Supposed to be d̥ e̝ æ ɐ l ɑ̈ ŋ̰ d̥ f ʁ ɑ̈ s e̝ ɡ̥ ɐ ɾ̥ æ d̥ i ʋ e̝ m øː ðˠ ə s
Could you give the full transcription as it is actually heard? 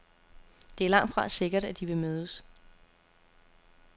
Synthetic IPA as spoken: d̥ e̝ æ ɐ l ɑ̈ ŋ̰ d̥ f ʁ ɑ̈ s e̝ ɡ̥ ɐ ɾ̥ æ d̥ i ʋ e̝ m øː ðˠ ə s

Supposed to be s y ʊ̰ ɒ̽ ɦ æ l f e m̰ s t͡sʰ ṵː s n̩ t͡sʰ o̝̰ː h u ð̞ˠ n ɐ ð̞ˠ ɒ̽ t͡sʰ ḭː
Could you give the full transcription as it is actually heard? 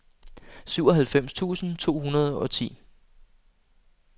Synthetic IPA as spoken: s y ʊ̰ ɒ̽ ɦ æ l f e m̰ s t͡sʰ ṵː s n̩ t͡sʰ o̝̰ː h u n ɐ ð̞ˠ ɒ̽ t͡sʰ ḭː

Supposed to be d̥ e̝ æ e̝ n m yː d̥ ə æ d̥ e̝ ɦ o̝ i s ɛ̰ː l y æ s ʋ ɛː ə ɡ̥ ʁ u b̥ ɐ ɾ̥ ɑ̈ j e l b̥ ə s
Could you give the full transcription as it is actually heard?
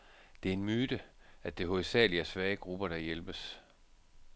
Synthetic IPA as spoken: d̥ e̝ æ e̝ n m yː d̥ ə æ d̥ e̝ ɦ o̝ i s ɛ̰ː l i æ s ʋ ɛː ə ɡ̥ ʁ u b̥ ɐ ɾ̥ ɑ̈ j e l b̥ ə s

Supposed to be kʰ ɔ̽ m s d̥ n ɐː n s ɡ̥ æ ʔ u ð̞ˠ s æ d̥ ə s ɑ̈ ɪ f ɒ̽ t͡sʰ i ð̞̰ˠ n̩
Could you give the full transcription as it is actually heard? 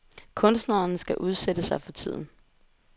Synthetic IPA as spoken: kʰ ɔ̽ n s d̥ n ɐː n s ɡ̥ æ ʔ u ð̞ˠ s e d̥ ə s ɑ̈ ɪ f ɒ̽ t͡sʰ i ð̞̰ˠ n̩

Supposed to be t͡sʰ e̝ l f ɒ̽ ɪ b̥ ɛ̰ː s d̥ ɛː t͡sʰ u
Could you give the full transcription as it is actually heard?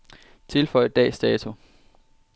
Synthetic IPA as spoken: t͡sʰ e̝ l f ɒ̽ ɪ d̥ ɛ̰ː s d̥ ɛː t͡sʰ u

